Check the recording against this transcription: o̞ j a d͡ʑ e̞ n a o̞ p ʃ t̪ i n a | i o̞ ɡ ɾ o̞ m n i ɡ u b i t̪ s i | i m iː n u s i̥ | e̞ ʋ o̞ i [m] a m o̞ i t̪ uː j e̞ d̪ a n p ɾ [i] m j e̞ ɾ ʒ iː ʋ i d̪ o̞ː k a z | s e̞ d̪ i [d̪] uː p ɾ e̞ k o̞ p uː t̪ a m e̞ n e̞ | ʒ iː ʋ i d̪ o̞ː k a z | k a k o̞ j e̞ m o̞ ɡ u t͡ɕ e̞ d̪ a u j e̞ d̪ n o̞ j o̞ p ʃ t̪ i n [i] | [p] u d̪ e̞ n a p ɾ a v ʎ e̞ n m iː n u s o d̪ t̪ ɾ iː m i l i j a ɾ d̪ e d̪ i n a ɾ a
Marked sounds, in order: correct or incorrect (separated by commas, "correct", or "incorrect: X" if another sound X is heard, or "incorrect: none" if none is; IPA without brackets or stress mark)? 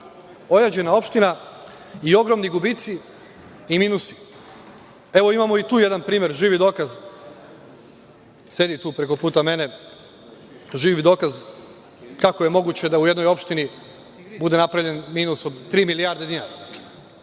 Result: correct, incorrect: iː, incorrect: t̪, correct, incorrect: b